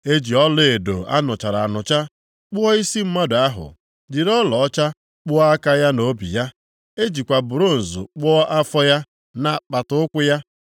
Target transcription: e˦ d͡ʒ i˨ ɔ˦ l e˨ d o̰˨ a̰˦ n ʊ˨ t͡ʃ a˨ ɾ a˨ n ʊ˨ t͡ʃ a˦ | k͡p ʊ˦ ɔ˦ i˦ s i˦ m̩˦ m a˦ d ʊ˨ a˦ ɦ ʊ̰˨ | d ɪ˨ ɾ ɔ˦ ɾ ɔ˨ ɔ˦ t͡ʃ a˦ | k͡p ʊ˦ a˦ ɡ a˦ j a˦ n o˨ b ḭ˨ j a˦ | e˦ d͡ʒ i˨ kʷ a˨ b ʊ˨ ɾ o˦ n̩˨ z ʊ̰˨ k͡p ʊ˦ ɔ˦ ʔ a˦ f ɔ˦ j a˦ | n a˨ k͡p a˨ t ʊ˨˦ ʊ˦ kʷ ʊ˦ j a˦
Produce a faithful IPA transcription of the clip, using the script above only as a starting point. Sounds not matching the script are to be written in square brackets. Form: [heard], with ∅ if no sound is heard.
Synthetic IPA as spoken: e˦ d͡ʒ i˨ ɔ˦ l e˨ d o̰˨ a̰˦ n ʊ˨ t͡ʃ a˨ ɾ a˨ n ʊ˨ t͡ʃ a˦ | k͡p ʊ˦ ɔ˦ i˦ s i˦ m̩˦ m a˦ d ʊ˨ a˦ ɦ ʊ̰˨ | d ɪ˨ ɾ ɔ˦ [l] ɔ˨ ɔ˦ t͡ʃ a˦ | k͡p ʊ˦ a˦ [k] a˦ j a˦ n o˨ b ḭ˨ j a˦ | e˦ d͡ʒ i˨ kʷ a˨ b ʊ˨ ɾ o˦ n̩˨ z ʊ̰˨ k͡p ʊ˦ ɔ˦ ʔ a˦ f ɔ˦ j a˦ | n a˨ k͡p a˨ t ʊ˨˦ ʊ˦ kʷ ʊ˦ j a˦